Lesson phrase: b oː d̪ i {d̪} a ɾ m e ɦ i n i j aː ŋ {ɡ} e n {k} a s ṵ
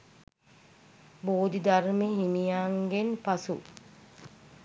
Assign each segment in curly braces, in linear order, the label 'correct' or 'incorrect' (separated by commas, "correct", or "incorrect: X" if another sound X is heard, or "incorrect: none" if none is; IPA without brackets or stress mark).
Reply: correct, correct, incorrect: p